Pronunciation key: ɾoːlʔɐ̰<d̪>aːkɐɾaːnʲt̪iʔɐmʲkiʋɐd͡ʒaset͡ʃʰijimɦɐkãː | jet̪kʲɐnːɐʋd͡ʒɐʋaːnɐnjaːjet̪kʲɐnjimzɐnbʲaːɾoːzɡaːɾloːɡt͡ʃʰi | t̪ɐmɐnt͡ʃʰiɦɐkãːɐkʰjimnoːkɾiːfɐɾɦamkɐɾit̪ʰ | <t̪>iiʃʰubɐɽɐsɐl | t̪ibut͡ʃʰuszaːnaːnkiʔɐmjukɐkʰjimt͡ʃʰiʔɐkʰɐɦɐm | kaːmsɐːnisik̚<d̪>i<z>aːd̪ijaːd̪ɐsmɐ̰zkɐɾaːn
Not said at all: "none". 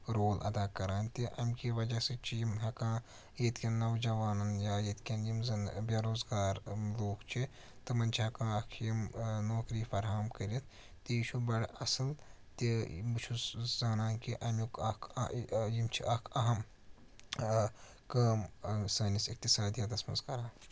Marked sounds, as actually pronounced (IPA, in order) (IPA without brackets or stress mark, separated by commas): d̪, t̪, t̪, s